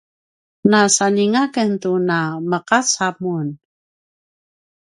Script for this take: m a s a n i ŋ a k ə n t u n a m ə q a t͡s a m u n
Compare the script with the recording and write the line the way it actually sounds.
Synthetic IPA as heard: n a s a n i ŋ a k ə n t u n a m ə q a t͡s a m u n